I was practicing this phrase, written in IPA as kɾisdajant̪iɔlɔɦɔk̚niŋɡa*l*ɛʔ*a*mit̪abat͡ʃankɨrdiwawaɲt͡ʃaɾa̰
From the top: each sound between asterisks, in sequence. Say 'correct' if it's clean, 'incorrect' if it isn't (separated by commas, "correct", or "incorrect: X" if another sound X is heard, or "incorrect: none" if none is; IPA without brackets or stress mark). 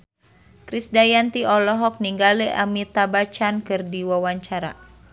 correct, correct